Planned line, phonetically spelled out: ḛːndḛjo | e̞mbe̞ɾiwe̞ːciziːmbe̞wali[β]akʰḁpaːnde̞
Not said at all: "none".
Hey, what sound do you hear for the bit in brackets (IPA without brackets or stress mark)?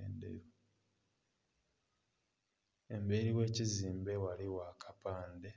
w